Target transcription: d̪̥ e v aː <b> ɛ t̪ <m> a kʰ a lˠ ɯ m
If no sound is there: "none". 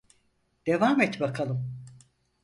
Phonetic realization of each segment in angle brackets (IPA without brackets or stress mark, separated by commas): m, b